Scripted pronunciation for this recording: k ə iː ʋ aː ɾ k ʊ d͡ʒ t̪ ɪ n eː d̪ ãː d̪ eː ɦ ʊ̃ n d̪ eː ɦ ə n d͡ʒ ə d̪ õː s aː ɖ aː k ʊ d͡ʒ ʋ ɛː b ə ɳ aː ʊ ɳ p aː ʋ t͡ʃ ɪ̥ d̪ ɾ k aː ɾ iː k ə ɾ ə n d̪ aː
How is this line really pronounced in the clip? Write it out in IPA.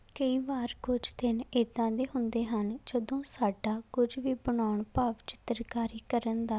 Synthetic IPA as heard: k ə iː ʋ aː ɾ k ʊ d͡ʒ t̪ ɪ n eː d̪ ãː d̪ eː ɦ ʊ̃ n d̪ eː ɦ ə n d͡ʒ ə d̪ õː s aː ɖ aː k ʊ d͡ʒ ʋ iː b ə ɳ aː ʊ ɳ p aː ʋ t͡ʃ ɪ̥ t̪ ɾ k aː ɾ iː k ə ɾ ə n d̪ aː